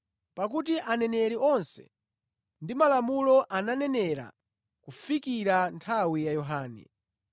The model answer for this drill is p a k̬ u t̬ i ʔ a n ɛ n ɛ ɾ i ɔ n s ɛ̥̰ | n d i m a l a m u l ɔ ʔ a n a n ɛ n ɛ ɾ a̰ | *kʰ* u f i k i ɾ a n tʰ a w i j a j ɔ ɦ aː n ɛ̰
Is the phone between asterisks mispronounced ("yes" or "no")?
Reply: yes